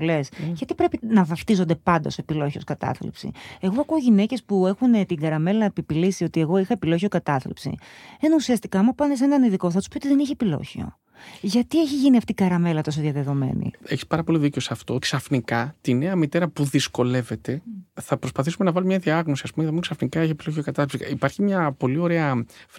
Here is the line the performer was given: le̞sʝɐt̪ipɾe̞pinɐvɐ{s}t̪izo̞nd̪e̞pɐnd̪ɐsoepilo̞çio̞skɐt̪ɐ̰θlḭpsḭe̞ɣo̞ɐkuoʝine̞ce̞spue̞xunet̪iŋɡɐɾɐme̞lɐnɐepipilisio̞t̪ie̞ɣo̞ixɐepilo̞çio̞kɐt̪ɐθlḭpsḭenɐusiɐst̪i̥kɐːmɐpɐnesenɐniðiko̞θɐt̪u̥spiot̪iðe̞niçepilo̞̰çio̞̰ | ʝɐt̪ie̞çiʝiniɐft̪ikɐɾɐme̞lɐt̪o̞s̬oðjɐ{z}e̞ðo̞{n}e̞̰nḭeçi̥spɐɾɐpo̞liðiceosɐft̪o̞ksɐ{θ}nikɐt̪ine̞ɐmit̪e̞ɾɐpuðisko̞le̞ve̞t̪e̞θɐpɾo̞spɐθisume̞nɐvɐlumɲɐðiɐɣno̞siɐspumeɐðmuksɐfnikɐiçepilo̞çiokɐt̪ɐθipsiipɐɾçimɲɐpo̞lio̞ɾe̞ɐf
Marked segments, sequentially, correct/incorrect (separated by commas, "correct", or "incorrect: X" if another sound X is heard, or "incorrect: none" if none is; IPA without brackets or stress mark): incorrect: f, incorrect: ð, incorrect: m, incorrect: f